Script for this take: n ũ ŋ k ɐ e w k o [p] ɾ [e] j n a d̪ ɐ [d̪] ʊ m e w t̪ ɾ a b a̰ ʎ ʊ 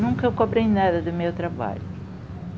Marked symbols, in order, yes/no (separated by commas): no, yes, yes